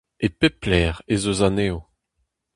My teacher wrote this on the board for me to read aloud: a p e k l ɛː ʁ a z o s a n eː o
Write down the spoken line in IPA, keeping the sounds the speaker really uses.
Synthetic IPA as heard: e p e p l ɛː ʁ e z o z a n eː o